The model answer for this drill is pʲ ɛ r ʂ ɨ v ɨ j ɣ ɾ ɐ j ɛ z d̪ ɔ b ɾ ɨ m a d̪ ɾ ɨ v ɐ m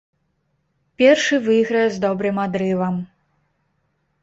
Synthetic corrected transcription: pʲ ɛ r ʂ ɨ v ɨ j ɣ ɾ ɐ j ɛ z d̪ ɔ b ɾ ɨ m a d̪ ɾ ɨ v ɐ m